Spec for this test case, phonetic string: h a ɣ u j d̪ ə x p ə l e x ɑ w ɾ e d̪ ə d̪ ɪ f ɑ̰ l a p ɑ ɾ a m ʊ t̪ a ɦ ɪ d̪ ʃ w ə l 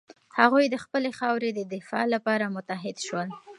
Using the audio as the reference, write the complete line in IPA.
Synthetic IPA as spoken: h a ɣ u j d̪ ə x p ə l e x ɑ w ɾ e d̪ ə d̪ ɪ f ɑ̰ l a p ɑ ɾ a m ʊ t̪ a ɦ ɪ d̪ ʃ w ə l